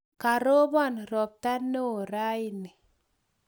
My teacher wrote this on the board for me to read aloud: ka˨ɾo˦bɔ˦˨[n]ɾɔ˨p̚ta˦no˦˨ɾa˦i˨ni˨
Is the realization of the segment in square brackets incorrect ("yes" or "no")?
no